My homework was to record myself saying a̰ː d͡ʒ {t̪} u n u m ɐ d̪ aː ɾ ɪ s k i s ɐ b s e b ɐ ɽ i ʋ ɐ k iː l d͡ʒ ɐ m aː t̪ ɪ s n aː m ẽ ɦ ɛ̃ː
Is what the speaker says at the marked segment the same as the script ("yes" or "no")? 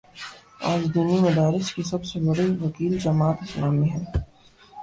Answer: no